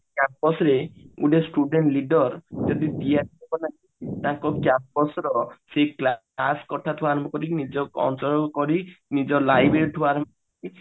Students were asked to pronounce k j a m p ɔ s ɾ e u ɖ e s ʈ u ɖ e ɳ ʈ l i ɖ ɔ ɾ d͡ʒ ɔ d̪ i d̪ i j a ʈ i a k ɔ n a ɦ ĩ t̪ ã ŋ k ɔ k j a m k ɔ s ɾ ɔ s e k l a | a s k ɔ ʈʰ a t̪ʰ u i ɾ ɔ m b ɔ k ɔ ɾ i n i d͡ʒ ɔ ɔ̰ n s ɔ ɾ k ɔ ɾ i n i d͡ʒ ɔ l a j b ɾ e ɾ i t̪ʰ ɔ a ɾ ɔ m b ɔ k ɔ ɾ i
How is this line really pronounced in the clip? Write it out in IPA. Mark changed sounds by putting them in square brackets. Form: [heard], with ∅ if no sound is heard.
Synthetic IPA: k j a m p ɔ s ɾ e u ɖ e s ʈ u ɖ e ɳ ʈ l i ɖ ɔ ɾ d͡ʒ ɔ d̪ i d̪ i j a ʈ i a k ɔ n a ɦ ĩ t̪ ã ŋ k ɔ k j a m [p] ɔ s ɾ ɔ s e k l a | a s k ɔ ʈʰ a t̪ʰ u [a] ɾ ɔ m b ɔ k ɔ ɾ i n i d͡ʒ ɔ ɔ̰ n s ɔ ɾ k ɔ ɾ i n i d͡ʒ ɔ l a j b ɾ e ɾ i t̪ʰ [u] a ɾ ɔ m b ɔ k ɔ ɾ i